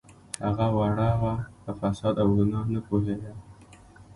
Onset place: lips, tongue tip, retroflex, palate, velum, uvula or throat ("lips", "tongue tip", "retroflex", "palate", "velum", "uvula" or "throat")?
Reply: throat